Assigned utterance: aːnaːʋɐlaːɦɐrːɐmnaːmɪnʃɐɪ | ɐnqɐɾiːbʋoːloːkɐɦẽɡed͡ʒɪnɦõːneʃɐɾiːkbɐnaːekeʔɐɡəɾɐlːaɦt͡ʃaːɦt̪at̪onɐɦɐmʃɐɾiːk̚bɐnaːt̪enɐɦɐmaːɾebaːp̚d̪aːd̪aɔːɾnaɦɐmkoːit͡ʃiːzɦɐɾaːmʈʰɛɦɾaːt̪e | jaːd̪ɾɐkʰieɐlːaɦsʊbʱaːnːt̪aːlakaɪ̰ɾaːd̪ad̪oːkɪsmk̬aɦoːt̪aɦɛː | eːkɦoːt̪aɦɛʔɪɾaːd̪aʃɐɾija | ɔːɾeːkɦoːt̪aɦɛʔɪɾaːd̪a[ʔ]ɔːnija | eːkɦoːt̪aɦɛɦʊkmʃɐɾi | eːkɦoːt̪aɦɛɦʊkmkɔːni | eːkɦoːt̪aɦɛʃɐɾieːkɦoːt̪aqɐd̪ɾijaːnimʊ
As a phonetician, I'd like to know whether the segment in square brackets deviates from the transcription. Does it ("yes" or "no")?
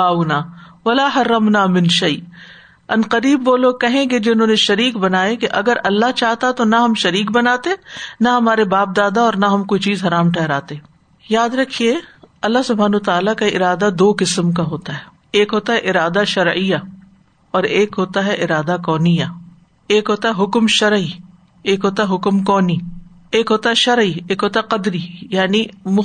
yes